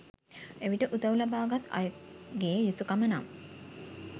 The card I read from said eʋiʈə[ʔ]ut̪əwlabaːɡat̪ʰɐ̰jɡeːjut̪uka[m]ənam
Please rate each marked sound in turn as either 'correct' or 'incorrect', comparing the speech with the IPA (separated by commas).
correct, correct